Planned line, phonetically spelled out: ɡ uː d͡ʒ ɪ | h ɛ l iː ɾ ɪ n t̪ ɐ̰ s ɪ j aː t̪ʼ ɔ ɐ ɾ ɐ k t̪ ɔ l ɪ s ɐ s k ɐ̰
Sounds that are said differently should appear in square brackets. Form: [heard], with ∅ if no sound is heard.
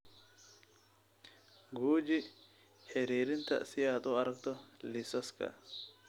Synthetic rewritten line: ɡ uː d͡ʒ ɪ | h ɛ [ɾ] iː ɾ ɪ n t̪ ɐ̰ s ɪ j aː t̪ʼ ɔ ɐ ɾ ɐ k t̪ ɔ l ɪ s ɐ s k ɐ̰